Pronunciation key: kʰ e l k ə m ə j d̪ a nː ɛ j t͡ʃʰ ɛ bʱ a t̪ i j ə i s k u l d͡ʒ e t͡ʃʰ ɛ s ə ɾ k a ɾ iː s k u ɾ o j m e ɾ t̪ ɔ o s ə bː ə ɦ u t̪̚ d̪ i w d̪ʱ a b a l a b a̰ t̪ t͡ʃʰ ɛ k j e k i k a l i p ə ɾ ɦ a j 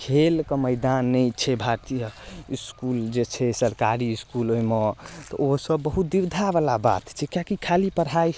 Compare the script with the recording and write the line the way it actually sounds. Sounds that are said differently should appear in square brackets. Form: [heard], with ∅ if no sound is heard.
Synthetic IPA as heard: kʰ e l k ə m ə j d̪ a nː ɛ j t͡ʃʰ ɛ bʱ a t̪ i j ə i s k u l d͡ʒ e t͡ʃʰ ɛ s ə ɾ k a ɾ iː s k u [l] o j m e [∅] t̪ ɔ o s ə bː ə ɦ u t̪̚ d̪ i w d̪ʱ a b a l a b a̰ t̪ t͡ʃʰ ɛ k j [a] k i [kʰ] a l i p ə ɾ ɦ a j